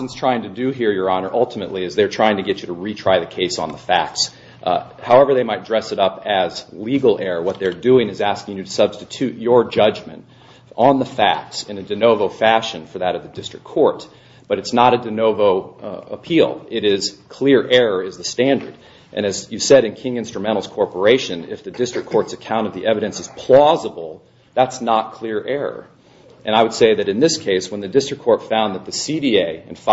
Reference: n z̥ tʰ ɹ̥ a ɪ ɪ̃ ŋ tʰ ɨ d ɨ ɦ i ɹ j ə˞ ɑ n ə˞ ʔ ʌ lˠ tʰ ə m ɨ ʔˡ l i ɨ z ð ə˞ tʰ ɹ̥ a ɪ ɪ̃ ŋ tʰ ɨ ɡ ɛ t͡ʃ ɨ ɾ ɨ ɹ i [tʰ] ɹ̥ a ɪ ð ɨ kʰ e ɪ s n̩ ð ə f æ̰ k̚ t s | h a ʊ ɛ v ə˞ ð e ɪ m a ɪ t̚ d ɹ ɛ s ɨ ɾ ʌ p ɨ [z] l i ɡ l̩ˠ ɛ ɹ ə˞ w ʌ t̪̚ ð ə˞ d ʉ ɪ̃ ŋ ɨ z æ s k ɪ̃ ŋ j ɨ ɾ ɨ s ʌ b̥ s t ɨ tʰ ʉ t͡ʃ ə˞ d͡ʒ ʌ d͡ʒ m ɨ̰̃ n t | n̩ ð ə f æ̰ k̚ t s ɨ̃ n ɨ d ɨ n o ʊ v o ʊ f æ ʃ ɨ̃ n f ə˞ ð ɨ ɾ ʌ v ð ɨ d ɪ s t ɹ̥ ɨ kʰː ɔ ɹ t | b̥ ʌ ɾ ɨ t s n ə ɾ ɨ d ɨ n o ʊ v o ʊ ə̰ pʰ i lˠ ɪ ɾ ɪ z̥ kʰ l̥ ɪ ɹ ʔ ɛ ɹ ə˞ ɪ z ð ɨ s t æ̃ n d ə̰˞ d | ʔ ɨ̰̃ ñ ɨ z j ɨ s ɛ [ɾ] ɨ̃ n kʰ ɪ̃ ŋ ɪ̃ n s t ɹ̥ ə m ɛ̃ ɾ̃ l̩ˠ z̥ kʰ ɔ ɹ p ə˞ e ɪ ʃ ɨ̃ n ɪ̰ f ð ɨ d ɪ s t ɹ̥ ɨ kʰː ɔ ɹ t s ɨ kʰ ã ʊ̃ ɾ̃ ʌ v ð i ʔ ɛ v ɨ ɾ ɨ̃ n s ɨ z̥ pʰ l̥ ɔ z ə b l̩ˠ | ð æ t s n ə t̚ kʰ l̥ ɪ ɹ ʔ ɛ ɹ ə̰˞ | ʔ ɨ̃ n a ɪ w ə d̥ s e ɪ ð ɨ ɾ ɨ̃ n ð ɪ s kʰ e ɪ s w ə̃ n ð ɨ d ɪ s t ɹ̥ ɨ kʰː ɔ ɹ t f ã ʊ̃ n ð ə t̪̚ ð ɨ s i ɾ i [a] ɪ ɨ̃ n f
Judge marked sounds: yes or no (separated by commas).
yes, yes, yes, no